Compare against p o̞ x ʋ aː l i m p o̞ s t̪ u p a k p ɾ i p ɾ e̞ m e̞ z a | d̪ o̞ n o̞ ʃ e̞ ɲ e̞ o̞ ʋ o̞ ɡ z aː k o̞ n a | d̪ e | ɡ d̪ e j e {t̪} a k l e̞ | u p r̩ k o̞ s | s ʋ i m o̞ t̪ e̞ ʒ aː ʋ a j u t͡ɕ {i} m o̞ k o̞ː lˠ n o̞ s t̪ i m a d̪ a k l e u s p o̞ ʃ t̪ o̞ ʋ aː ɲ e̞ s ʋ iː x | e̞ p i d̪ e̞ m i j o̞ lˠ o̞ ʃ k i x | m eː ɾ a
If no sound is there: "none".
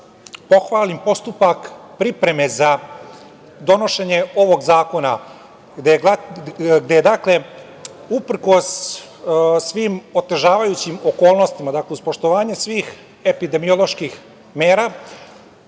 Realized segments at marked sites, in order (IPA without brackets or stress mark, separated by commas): d̪, i